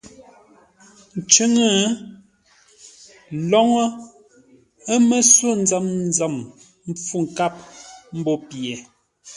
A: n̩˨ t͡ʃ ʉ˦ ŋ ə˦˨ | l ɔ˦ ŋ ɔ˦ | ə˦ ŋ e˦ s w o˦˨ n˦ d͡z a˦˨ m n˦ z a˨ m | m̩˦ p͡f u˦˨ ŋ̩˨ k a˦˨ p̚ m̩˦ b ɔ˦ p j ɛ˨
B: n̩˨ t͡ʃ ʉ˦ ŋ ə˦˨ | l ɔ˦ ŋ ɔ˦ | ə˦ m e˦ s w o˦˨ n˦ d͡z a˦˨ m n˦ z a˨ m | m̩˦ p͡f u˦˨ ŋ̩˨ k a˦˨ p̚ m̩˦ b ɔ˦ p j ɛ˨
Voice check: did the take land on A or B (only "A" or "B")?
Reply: B